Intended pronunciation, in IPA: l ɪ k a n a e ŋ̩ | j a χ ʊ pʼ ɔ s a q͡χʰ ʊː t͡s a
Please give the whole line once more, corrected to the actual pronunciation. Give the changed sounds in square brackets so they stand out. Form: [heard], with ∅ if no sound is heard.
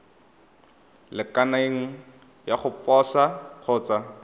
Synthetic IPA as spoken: l ɪ k a n a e ŋ̩ | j a χ ʊ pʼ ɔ s a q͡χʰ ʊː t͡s a